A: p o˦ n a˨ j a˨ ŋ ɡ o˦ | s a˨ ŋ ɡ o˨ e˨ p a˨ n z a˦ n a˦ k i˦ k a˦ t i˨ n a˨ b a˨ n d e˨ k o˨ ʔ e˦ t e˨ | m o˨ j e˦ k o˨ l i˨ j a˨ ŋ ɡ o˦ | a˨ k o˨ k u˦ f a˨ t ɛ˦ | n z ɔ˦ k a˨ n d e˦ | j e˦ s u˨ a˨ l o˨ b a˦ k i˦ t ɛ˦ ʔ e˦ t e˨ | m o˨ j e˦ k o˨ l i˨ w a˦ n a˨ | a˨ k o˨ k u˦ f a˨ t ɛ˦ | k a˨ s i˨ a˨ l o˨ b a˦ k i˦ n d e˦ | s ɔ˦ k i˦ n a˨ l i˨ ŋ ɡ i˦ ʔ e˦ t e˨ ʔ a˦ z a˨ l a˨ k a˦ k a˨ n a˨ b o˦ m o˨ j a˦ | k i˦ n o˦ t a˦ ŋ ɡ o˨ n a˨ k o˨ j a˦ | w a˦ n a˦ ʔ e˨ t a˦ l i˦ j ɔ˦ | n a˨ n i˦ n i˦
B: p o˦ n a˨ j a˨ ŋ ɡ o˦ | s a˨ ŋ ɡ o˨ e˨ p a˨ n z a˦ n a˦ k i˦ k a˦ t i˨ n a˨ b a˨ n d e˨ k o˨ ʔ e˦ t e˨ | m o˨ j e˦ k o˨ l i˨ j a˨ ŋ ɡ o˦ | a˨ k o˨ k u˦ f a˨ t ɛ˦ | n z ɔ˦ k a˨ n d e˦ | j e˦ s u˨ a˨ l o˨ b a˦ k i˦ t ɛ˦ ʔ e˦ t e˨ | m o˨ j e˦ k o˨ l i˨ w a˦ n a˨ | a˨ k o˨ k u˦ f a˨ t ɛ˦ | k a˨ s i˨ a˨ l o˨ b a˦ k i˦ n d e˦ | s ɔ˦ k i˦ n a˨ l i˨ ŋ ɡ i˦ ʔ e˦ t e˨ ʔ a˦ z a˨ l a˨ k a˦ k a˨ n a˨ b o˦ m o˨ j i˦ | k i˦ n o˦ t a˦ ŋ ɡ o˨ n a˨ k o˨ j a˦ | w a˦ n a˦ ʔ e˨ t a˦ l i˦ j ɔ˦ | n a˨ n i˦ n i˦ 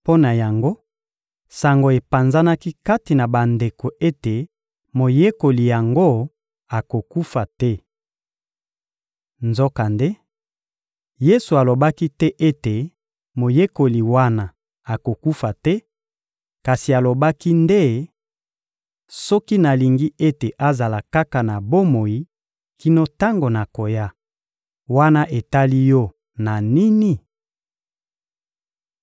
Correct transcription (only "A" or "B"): B